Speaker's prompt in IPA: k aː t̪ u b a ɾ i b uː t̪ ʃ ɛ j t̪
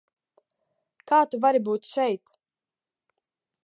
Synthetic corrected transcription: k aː t̪ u v a ɾ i b uː t̪ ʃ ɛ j t̪